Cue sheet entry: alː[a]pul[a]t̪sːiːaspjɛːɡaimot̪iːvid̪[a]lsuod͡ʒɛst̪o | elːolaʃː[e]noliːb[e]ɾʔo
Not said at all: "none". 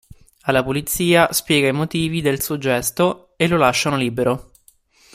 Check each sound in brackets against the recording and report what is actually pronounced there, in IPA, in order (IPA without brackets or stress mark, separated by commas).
a, i, e, a, e